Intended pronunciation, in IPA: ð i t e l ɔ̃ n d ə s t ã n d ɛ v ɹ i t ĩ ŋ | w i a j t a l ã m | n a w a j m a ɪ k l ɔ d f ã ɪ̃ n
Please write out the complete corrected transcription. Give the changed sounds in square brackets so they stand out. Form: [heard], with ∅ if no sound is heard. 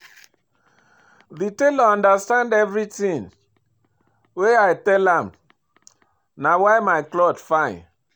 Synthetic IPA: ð i t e l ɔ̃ n d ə s t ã n d ɛ v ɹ i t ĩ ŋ | w [e] a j t [ɛ] l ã m | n a w a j m a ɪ k l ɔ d f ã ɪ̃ n